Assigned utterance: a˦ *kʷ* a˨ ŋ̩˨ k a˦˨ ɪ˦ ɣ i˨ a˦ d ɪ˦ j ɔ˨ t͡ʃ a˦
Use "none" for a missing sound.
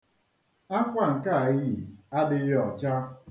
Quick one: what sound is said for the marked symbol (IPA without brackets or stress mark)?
kʷ